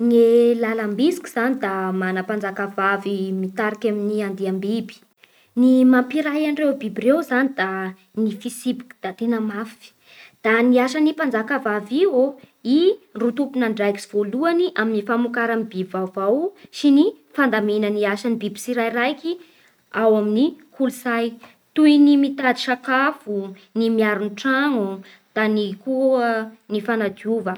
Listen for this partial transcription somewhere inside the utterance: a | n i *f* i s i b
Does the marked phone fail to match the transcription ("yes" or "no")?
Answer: no